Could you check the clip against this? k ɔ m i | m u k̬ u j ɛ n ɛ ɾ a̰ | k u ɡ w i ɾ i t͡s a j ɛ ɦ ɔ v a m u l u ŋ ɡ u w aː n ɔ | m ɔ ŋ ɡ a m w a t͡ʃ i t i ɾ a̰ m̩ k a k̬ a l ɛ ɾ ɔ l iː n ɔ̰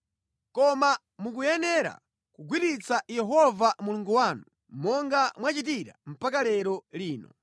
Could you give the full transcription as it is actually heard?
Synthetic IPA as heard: k ɔ m a | m u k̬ u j ɛ n ɛ ɾ a̰ | k u ɡ w i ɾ i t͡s a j ɛ ɦ ɔ v a m u l u ŋ ɡ u w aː n u | m ɔ ŋ ɡ a m w a t͡ʃ i t i ɾ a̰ m̩ p a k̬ a l ɛ ɾ ɔ l iː n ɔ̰